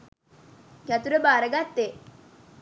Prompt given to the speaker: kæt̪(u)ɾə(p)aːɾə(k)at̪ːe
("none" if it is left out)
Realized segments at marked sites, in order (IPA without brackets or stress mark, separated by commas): u, b, ɡ